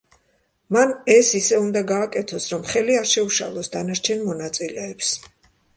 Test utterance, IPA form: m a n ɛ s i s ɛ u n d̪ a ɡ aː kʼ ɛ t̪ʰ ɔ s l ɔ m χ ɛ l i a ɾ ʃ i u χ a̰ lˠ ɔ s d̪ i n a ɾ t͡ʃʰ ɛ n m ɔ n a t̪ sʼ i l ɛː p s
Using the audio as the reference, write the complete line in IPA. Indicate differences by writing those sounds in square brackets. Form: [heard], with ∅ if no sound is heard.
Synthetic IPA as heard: m a n ɛ s i s ɛ u n d̪ a ɡ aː kʼ ɛ t̪ʰ ɔ s [ɾ] ɔ m χ ɛ l i a ɾ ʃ [ɛ] u [ʃ] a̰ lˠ ɔ s d̪ [a] n a ɾ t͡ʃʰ ɛ n m ɔ n a t̪ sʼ i l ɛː p s

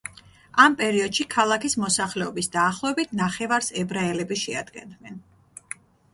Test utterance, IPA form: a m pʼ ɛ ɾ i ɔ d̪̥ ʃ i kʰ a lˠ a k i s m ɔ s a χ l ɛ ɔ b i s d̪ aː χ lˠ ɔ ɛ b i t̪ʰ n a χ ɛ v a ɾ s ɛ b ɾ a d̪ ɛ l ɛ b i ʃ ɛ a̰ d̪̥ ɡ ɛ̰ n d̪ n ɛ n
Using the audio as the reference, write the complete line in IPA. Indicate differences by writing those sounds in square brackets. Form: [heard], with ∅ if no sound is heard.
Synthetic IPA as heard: a m pʼ ɛ ɾ i ɔ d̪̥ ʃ i kʰ a lˠ a k i s m ɔ s a χ l ɛ ɔ b i s d̪ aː χ lˠ ɔ ɛ b i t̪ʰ n a χ ɛ v a ɾ s ɛ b ɾ a [∅] ɛ l ɛ b i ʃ ɛ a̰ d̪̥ ɡ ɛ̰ n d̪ n ɛ n

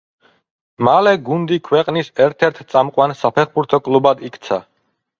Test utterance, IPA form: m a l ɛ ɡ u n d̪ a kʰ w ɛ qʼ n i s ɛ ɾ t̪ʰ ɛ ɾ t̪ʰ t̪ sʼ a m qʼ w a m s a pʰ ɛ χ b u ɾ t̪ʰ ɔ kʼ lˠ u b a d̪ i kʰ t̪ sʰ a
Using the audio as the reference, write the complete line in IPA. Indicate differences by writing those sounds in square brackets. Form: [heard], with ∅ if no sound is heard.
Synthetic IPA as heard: m a l ɛ ɡ u n d̪ [i] kʰ w ɛ qʼ n i s ɛ ɾ t̪ʰ ɛ ɾ t̪ʰ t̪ sʼ a m qʼ w a [n] s a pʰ ɛ χ b u ɾ t̪ʰ ɔ kʼ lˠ u b a d̪ i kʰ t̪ sʰ a

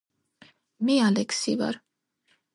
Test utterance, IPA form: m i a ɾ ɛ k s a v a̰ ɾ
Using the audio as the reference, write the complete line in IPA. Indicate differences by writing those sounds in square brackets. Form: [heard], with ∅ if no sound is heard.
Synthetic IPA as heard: m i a [l] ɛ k s [i] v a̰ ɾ

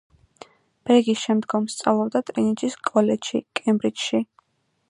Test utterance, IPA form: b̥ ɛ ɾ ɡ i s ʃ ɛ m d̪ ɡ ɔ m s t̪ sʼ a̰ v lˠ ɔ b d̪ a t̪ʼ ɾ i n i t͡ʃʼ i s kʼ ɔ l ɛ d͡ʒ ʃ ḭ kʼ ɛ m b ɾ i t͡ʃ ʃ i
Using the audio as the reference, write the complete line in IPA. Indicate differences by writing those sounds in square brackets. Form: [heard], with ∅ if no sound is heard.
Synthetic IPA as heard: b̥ ɛ ɾ ɡ i s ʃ ɛ m d̪ ɡ ɔ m s t̪ sʼ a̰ v lˠ ɔ b d̪ a t̪ʼ ɾ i n i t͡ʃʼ i s kʼ ɔ l ɛ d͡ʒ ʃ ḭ kʼ ɛ m b ɾ i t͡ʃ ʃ i

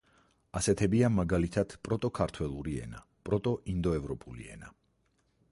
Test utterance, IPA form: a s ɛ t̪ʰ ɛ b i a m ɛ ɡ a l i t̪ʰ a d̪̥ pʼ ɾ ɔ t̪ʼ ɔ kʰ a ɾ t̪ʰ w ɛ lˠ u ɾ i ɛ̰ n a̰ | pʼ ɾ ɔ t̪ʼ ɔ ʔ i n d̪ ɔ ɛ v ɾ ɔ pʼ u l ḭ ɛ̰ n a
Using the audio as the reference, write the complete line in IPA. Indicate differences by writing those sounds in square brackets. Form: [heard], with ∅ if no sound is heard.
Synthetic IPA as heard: a s ɛ t̪ʰ ɛ b i a m [a] ɡ a l i t̪ʰ a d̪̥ pʼ ɾ ɔ t̪ʼ ɔ kʰ a ɾ t̪ʰ w ɛ lˠ u ɾ i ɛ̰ n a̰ | pʼ ɾ ɔ t̪ʼ ɔ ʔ i n d̪ ɔ ɛ v ɾ ɔ pʼ u l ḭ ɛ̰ n a

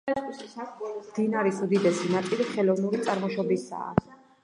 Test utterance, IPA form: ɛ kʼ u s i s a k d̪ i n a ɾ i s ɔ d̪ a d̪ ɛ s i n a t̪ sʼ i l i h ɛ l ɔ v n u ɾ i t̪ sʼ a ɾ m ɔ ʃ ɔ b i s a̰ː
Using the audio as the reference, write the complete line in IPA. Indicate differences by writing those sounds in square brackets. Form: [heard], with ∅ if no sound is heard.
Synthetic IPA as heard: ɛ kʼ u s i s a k d̪ i n a ɾ i s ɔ d̪ [i] d̪ ɛ s i n a t̪ sʼ i l i [χ] ɛ l ɔ v n u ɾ i t̪ sʼ a ɾ m ɔ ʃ ɔ b i s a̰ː

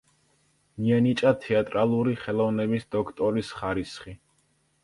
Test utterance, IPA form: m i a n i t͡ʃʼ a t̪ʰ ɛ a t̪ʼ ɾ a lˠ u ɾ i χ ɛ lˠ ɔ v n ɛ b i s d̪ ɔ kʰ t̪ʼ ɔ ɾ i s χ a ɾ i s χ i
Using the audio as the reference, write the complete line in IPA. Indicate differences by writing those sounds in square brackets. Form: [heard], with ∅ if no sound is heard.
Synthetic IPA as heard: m i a n i t͡ʃʼ a t̪ʰ ɛ a t̪ʼ ɾ a lˠ u ɾ i χ ɛ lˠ ɔ v n ɛ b i s d̪ ɔ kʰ t̪ʼ ɔ ɾ i s χ a ɾ i s χ i

